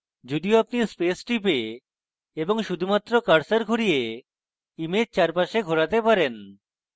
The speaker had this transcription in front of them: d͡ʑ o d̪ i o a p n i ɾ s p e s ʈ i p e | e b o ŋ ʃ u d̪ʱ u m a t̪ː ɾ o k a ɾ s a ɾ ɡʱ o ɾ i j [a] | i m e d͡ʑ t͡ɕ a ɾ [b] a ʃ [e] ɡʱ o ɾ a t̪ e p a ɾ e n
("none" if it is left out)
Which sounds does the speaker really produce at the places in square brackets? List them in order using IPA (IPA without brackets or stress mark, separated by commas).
e, p, e